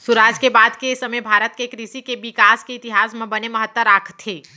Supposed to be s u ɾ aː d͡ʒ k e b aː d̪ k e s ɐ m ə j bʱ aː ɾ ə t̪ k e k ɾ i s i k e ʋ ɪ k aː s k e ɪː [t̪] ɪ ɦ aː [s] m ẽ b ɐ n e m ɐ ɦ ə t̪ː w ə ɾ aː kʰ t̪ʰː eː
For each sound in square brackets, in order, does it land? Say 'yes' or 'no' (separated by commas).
yes, yes